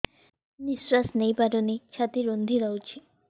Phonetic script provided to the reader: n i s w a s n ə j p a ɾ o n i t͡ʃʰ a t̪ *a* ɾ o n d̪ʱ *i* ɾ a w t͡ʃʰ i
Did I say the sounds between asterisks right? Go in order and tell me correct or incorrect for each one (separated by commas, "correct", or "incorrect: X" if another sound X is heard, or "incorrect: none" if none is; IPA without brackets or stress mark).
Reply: incorrect: i, correct